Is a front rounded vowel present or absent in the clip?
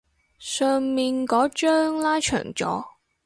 present